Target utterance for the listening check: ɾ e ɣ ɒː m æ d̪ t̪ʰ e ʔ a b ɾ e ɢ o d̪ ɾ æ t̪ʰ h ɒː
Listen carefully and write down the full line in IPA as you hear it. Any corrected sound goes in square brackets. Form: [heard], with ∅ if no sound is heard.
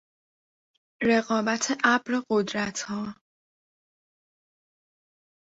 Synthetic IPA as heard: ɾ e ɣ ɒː [b] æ [∅] t̪ʰ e ʔ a b ɾ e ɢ o d̪ ɾ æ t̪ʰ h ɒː